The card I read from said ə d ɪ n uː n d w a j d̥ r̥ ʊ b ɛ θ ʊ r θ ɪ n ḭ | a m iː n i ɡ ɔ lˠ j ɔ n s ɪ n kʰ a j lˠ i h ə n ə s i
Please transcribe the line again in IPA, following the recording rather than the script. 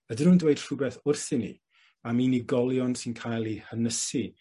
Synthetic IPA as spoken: ə d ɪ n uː n d w e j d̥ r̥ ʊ b ɛ θ ʊ r θ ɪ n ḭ | a m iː n i ɡ ɔ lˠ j ɔ n s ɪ n kʰ a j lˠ i h ə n ə s i